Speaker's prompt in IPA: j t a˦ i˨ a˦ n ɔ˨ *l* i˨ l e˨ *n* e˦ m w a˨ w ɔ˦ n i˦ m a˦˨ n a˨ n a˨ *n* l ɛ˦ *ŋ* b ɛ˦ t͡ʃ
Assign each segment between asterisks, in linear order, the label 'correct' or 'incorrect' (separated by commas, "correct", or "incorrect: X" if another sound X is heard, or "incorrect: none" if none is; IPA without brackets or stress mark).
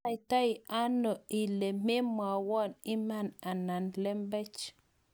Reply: incorrect: none, incorrect: m, correct, incorrect: m